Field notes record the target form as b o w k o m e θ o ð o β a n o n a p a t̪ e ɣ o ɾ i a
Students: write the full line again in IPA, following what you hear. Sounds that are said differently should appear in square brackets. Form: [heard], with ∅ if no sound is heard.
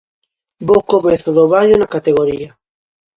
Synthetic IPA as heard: b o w k o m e θ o ð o β a [ɲ] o n a [k] a t̪ e ɣ o ɾ i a